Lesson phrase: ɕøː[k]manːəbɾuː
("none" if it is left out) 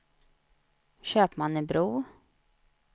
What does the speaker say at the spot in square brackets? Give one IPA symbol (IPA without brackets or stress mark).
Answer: p